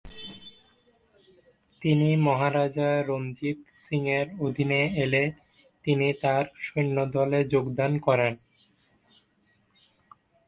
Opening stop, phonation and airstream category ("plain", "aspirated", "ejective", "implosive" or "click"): plain